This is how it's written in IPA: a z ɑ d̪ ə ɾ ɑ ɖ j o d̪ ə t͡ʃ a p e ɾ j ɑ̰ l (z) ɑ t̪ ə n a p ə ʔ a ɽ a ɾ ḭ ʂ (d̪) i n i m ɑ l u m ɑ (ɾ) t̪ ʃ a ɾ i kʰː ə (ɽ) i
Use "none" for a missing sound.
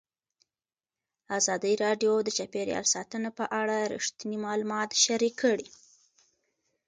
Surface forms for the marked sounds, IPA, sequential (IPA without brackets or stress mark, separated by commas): s, t̪, none, ɽ